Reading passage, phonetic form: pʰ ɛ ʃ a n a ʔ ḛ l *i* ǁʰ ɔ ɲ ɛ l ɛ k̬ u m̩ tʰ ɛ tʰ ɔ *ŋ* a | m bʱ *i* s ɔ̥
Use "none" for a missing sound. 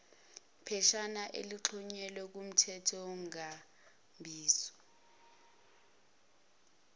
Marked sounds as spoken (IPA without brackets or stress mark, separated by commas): i, ŋ, iː